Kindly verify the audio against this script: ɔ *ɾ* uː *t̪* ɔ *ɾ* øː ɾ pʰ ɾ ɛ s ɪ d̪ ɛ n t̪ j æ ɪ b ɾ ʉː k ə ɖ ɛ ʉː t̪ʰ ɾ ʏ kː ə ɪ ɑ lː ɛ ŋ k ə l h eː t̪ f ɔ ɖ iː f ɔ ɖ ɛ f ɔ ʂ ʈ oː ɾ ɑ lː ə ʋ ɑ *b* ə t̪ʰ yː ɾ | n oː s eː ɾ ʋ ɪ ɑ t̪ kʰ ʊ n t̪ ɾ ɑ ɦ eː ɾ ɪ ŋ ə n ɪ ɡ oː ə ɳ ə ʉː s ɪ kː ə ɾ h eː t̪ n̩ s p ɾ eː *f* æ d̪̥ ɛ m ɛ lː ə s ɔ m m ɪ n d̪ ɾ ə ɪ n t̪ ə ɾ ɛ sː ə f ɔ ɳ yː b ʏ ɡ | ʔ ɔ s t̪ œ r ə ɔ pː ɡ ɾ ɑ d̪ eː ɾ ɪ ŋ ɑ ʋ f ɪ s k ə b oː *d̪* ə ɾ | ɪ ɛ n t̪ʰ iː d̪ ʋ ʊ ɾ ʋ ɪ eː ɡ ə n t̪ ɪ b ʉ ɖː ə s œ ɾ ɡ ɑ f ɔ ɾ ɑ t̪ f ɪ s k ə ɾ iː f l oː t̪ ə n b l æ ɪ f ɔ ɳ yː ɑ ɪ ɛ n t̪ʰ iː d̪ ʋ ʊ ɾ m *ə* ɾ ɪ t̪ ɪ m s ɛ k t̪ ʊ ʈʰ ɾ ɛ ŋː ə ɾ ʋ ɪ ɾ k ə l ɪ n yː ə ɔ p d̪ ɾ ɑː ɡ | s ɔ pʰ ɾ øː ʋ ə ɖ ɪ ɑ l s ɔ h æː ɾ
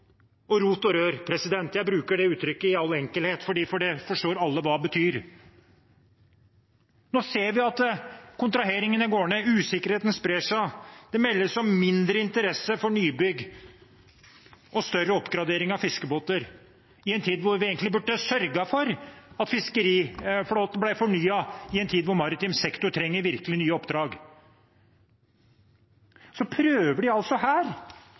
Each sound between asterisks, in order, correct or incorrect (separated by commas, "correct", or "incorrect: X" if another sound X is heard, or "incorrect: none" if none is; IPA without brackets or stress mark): correct, correct, correct, correct, incorrect: ʂ, incorrect: t̪, incorrect: ɑ